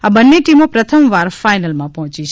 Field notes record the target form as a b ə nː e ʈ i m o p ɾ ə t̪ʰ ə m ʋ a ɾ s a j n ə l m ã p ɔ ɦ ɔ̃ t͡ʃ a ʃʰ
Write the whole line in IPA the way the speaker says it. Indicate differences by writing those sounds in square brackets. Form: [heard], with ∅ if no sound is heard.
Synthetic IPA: a b ə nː e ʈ i m o p ɾ ə t̪ʰ ə m ʋ a ɾ [f] a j n ə l m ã p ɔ ɦ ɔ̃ t͡ʃ [i] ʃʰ

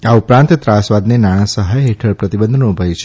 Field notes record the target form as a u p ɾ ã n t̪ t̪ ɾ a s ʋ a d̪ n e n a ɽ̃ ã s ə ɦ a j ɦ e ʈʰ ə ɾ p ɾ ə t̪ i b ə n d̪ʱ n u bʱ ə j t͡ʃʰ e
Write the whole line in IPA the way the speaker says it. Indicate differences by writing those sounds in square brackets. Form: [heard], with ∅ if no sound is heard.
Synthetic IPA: a u p ɾ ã n t̪ t̪ ɾ a s ʋ a d̪ n e n a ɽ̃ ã s ə ɦ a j ɦ e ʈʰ ə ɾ p ɾ ə t̪ i b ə n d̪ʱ n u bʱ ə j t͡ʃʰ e

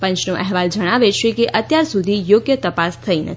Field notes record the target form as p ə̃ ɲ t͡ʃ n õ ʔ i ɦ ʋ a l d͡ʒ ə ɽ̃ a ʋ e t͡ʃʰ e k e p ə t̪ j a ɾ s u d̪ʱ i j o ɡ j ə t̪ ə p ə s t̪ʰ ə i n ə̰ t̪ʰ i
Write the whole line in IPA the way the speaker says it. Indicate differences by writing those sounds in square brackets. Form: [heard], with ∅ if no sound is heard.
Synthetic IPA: p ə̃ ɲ t͡ʃ n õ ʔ [ɛ] ɦ ʋ a l d͡ʒ ə ɽ̃ a ʋ e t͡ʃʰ e k e [ʔ] ə t̪ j a ɾ s u d̪ʱ i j o ɡ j ə t̪ ə p [a] s t̪ʰ ə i n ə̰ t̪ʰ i

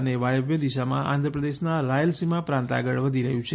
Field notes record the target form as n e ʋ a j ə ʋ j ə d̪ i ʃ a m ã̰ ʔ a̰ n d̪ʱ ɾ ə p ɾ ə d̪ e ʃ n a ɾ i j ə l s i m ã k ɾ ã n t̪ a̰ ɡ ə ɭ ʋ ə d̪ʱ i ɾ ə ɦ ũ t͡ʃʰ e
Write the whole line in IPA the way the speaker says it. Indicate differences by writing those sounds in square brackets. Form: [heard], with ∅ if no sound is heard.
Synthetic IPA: n e ʋ a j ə ʋ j ə d̪ i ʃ a m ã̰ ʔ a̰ n d̪ʱ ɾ ə p ɾ ə d̪ e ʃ n a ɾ [a] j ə l s i m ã [p] ɾ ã n t̪ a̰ ɡ ə ɭ ʋ ə d̪ʱ i ɾ ə ɦ ũ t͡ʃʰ e

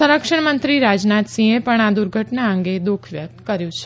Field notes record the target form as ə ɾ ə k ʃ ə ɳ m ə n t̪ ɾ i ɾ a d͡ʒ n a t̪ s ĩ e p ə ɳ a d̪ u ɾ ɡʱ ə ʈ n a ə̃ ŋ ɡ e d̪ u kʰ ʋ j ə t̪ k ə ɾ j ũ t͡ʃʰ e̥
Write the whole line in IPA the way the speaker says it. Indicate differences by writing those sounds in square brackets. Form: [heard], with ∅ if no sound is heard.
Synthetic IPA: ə ɾ ə k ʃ ə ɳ m ə n t̪ ɾ i ɾ a d͡ʒ n a t̪ s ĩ e p ə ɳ a d̪ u ɾ ɡʱ ə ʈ n a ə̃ ŋ ɡ e d̪ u kʰ ʋ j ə t̪ k ə ɾ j ũ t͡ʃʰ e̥

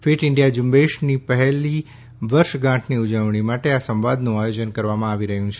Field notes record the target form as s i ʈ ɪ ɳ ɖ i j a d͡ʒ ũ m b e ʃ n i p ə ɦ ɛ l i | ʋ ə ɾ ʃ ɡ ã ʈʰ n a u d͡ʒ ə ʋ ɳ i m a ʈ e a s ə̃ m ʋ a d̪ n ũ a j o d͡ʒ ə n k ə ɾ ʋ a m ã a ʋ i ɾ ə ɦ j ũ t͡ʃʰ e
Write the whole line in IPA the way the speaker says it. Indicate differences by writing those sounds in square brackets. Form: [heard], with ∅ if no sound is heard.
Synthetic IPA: [f] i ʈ ɪ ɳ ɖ i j a d͡ʒ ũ m b e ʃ n i p ə ɦ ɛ l i | ʋ ə ɾ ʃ ɡ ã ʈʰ n [i] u d͡ʒ ə ʋ ɳ i m a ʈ e a s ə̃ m ʋ a d̪ n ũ a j o d͡ʒ ə n k ə ɾ ʋ a m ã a ʋ i ɾ ə ɦ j ũ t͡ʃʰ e

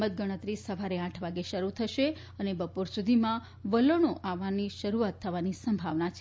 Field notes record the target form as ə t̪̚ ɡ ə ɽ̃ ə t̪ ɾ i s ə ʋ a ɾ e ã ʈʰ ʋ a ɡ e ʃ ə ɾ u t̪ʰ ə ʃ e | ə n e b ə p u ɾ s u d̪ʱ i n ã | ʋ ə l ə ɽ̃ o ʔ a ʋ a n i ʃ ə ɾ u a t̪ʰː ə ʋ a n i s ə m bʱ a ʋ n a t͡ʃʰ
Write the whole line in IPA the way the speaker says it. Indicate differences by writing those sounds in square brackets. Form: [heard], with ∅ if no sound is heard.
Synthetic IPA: ə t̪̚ ɡ ə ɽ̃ ə t̪ ɾ i s ə ʋ a ɾ e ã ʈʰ ʋ a ɡ e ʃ ə ɾ u t̪ʰ ə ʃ e | ə n e b ə p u ɾ s u d̪ʱ i [m] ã | ʋ ə l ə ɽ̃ o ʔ a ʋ a n i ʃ ə ɾ u a t̪ʰː ə ʋ a n i s ə m bʱ a ʋ n a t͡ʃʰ

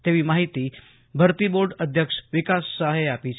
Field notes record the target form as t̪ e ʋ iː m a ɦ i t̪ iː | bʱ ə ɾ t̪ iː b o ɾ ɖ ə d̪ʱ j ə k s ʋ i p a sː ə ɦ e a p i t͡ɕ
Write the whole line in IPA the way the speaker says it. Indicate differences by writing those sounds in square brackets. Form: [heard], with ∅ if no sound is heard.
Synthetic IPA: t̪ e ʋ iː m a ɦ i t̪ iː | bʱ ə ɾ t̪ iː b o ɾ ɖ ə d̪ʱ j ə k [ʂ] ʋ i [k] a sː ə ɦ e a p i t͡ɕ

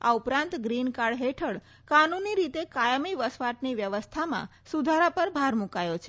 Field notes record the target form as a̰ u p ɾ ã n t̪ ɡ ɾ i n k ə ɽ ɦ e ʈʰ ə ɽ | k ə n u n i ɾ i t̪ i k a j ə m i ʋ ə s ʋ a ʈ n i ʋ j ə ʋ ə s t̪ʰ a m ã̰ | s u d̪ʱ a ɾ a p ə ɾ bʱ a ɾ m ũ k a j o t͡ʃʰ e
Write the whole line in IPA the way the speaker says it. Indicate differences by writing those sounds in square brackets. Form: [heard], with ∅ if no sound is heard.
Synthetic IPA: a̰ u p ɾ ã n t̪ ɡ ɾ i n k [a] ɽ ɦ e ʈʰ ə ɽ | k [a] n u n i ɾ i t̪ [e] k a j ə m i ʋ ə s ʋ a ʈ n i ʋ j ə ʋ ə s t̪ʰ a m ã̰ | s u d̪ʱ a ɾ a p ə ɾ bʱ a ɾ m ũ k a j o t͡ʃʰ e

